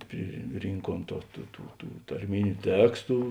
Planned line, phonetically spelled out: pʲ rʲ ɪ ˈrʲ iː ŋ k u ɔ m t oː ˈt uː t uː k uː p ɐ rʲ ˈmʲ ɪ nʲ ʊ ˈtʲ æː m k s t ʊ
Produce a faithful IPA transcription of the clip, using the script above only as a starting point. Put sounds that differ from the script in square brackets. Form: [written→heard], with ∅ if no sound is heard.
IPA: pʲ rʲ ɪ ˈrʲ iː ŋ k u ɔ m t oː ˈt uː t uː [k→t] uː [p→t] ɐ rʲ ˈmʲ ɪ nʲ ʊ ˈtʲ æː [m→∅] k s t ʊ

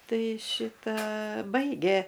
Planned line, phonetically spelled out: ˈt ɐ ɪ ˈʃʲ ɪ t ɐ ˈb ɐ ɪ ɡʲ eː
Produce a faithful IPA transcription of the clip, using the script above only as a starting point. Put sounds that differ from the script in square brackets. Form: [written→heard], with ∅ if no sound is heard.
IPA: ˈt ɐ ɪ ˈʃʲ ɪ t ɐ ˈb ɐ ɪ ɡʲ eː

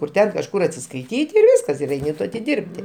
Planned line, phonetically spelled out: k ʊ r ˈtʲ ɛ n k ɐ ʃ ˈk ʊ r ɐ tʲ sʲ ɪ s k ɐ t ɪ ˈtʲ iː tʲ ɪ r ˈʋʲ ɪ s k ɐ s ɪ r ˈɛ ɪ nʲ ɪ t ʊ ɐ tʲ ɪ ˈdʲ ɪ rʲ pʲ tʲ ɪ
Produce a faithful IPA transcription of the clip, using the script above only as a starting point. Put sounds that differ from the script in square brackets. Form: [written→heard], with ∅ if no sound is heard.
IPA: k ʊ r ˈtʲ ɛ n k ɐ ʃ ˈk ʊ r ɐ tʲ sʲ ɪ s k ɐ [t→∅] ɪ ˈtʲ iː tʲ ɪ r ˈʋʲ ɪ s k ɐ s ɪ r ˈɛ ɪ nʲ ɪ t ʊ ɐ tʲ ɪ ˈdʲ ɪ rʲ pʲ tʲ ɪ

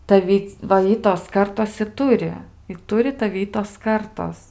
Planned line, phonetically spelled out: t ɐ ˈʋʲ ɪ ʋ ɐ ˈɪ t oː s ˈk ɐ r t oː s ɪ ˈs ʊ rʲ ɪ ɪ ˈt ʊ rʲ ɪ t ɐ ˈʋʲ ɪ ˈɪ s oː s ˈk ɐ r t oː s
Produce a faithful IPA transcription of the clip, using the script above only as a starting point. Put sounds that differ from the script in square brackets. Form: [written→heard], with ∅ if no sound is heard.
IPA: t ɐ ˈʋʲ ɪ ʋ ɐ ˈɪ t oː s ˈk ɐ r t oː s ɪ [ˈs→ˈt] ʊ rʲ ɪ ɪ ˈt ʊ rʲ ɪ t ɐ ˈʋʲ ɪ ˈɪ [s→t] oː s ˈk ɐ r t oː s

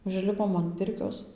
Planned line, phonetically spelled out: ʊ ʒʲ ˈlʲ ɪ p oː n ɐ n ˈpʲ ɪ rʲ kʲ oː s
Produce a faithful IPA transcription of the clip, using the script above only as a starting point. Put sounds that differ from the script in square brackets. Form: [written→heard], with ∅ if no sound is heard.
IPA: ʊ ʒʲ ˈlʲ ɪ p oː [n→m] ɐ n ˈpʲ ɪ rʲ kʲ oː s

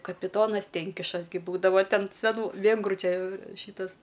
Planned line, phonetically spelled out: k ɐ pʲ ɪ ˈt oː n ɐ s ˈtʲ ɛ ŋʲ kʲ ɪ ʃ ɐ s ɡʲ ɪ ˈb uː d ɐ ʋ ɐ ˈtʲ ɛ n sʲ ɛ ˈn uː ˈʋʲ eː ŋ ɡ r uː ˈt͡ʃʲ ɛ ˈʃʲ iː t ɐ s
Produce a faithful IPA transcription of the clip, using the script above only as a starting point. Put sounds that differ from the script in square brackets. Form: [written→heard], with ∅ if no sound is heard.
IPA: k ɐ pʲ ɪ ˈt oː n ɐ s ˈtʲ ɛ ŋʲ kʲ ɪ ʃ ɐ s ɡʲ ɪ ˈb uː d ɐ ʋ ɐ ˈtʲ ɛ n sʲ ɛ ˈn uː ˈʋʲ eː ŋ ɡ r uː ˈt͡ʃʲ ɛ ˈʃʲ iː t ɐ s

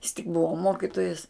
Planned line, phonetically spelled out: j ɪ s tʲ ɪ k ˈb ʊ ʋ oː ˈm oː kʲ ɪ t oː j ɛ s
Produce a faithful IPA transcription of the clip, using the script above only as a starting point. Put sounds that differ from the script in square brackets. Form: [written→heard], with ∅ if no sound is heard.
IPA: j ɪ s tʲ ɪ k ˈb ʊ ʋ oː ˈm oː kʲ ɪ t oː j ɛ s

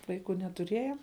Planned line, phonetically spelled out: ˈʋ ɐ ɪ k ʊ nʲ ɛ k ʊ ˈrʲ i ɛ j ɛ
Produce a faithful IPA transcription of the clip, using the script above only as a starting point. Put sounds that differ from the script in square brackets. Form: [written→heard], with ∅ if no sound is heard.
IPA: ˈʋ ɐ ɪ k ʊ nʲ ɛ [k→t] ʊ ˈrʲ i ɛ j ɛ

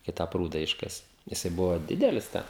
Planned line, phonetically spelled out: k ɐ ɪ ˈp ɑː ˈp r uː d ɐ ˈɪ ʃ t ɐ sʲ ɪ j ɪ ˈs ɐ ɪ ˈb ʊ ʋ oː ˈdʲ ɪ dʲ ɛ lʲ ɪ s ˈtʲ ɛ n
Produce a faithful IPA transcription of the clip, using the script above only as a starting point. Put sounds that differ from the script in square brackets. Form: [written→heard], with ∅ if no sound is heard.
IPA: k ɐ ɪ [ˈp→ˈt] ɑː ˈp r uː d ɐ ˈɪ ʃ [t→k] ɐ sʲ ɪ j ɪ ˈs ɐ ɪ ˈb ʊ ʋ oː ˈdʲ ɪ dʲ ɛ lʲ ɪ s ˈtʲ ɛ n

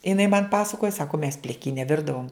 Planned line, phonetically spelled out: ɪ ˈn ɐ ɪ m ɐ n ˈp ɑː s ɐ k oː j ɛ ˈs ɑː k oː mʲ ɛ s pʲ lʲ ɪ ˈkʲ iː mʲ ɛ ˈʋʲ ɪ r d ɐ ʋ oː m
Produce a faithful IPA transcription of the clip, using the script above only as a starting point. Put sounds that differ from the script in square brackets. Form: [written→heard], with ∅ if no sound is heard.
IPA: ɪ ˈn ɐ ɪ m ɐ n ˈp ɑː s ɐ k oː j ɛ ˈs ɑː k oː mʲ ɛ s pʲ lʲ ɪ ˈkʲ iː [mʲ→nʲ] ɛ ˈʋʲ ɪ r d ɐ ʋ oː m

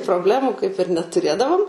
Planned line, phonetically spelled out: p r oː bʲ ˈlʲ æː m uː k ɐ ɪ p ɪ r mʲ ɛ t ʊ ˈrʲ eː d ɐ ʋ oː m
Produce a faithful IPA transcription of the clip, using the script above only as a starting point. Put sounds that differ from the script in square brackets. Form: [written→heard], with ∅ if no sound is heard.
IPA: p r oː bʲ ˈlʲ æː m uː k ɐ ɪ p ɪ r [mʲ→nʲ] ɛ t ʊ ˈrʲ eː d ɐ ʋ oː m

